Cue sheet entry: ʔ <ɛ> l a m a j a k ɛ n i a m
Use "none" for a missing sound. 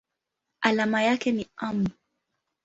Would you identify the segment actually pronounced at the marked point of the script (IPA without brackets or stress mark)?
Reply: a